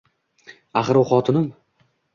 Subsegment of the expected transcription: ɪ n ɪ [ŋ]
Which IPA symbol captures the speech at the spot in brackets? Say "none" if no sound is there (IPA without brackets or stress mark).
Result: m